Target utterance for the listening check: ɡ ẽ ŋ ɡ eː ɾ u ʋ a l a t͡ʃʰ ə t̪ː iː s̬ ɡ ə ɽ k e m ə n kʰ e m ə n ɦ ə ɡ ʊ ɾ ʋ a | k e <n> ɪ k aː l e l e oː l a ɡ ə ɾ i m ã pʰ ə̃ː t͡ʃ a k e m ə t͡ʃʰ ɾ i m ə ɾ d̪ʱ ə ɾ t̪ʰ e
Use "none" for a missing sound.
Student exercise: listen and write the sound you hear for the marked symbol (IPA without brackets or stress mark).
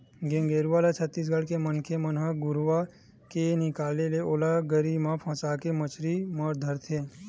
n